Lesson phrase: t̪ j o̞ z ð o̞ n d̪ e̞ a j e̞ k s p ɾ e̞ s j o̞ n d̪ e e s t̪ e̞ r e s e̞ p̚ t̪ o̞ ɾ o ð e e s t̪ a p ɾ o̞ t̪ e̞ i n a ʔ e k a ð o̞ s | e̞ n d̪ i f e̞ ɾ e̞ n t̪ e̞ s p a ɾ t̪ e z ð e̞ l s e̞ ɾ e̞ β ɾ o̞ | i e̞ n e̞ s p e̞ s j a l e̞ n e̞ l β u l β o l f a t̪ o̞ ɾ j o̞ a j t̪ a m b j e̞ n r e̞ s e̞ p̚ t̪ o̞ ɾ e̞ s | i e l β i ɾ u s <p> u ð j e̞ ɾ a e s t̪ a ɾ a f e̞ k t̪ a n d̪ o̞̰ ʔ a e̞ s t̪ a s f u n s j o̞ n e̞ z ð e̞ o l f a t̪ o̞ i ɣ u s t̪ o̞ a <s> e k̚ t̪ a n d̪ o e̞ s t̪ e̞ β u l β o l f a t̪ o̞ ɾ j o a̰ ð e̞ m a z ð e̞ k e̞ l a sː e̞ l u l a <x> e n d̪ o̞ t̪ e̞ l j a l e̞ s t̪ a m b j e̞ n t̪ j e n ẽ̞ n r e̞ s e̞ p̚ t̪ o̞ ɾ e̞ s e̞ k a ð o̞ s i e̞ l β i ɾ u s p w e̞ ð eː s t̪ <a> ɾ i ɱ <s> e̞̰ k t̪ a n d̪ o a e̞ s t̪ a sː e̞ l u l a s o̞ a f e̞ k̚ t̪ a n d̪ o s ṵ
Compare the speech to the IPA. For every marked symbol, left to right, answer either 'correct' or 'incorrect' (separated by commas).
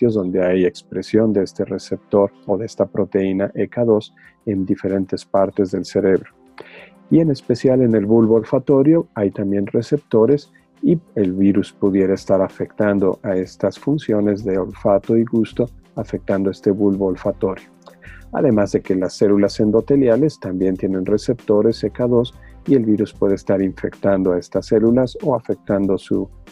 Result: correct, incorrect, incorrect, correct, incorrect